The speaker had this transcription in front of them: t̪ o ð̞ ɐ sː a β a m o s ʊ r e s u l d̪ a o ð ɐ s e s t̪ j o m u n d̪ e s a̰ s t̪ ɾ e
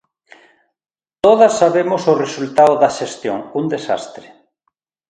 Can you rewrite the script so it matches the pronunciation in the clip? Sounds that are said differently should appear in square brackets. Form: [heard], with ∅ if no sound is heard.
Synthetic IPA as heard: t̪ o ð̞ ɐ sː a β [e] m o s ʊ r e s u l [t̪] a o ð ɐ [ʃ] e s t̪ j o [ŋ] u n d̪ e s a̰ s t̪ ɾ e